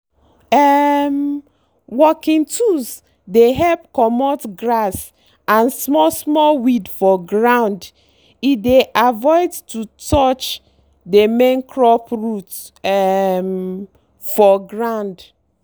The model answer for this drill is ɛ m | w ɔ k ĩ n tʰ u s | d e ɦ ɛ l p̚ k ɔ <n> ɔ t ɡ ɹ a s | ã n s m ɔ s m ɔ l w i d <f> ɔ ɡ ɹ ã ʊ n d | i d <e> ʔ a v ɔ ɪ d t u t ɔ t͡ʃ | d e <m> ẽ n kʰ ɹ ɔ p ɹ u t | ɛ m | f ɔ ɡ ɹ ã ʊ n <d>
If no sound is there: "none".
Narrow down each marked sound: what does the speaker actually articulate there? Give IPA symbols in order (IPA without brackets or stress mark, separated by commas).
m, f, e, m, d